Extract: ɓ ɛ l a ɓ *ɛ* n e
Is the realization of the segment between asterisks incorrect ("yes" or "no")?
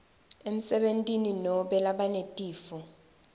yes